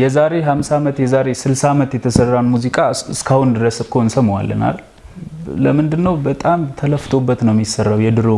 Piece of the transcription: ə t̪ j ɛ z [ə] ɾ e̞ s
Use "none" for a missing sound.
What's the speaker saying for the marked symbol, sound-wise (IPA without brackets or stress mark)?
a